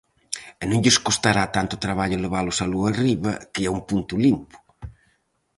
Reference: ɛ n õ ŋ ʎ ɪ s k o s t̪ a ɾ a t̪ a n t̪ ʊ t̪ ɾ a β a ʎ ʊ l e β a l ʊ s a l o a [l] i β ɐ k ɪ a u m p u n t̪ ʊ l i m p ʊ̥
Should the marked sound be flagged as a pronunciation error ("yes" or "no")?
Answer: yes